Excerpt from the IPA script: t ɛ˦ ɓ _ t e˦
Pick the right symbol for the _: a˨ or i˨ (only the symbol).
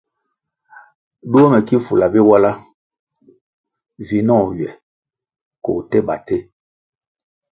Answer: a˨